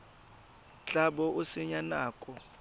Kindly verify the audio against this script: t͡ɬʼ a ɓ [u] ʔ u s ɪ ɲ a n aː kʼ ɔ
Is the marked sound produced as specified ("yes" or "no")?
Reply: no